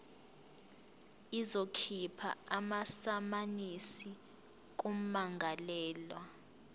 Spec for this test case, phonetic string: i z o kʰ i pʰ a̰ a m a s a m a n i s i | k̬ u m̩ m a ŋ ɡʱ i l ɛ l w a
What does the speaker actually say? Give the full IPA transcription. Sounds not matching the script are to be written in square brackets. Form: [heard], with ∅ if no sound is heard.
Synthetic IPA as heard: i z o kʰ i pʰ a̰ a m a s a m a n i s i | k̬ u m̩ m a ŋ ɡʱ [a] l [ɛː] l w a

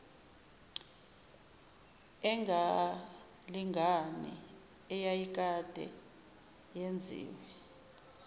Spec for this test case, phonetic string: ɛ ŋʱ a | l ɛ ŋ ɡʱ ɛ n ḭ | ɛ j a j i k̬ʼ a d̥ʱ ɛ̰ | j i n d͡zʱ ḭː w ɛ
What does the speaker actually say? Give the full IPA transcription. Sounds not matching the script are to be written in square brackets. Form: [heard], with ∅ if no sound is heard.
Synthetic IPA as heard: ɛ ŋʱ a | l [i] ŋ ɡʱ [a] n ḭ | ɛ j a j i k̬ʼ a d̥ʱ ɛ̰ | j [e] n d͡zʱ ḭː w ɛ

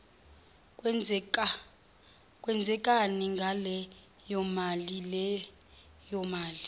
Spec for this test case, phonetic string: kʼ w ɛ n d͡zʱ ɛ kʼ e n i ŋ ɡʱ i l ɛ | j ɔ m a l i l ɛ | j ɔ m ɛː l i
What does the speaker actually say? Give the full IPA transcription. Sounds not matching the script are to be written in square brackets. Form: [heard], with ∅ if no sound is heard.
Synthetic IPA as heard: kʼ w ɛ n d͡zʱ ɛ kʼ [a] n i ŋ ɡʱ [a] l ɛ | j ɔ m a l i l ɛ | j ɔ m [aː] l i

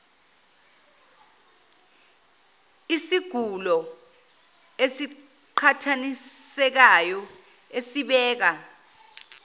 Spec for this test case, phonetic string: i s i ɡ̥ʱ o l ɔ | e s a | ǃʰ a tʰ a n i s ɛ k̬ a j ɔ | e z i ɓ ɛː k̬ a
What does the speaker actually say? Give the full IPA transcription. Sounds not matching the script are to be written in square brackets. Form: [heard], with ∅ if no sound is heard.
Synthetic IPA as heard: i s i ɡ̥ʱ [u] l ɔ | e s [i] | ǃʰ a tʰ a n i s ɛ k̬ a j ɔ | e [s] i ɓ ɛː k̬ a

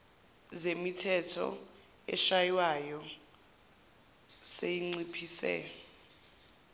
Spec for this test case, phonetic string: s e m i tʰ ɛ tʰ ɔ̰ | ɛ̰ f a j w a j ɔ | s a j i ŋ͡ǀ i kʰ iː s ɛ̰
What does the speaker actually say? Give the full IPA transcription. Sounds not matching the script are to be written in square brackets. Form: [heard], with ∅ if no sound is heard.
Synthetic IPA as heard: [z] e m i tʰ ɛ tʰ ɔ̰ | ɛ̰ [ʃ] a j w a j ɔ | s [e] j i ŋ͡ǀ i [pʰ] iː s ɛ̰

